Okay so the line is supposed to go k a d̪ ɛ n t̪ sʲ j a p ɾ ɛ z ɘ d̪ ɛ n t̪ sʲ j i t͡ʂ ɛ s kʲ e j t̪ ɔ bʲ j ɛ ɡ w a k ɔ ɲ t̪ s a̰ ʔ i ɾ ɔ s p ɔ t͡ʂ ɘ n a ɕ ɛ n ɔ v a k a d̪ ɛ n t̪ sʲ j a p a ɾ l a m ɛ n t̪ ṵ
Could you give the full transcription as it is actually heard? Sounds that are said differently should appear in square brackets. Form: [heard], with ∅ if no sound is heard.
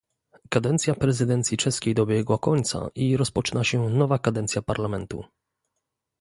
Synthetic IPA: k a d̪ ɛ n t̪ sʲ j a p ɾ ɛ z ɘ d̪ ɛ n t̪ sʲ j i t͡ʂ ɛ s kʲ e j [d̪] ɔ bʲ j ɛ ɡ w a k ɔ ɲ t̪ s a̰ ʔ i ɾ ɔ s p ɔ t͡ʂ ɘ n a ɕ ɛ n ɔ v a k a d̪ ɛ n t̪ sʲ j a p a ɾ l a m ɛ n t̪ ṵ